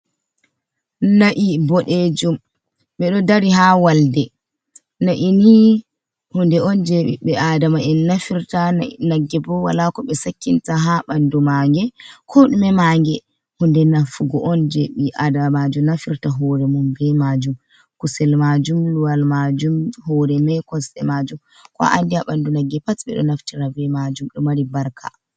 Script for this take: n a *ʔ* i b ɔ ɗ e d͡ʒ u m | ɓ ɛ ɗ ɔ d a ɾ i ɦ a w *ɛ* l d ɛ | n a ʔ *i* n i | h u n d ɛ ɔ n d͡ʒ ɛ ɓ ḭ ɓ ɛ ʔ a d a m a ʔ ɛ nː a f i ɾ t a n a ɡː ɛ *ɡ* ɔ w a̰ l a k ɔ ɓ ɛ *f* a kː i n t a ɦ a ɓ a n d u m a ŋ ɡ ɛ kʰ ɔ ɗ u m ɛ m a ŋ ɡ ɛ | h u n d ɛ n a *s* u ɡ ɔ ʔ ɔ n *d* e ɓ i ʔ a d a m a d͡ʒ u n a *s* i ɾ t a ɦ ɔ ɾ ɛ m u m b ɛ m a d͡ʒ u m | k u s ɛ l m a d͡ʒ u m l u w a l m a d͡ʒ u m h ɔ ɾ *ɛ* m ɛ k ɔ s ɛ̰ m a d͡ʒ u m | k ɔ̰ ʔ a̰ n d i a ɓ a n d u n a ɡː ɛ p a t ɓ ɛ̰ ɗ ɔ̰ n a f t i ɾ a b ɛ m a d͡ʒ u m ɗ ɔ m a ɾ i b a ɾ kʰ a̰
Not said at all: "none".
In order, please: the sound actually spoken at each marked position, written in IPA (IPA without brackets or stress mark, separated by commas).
ʔ, a, i, b, s, f, d͡ʒ, f, ɛ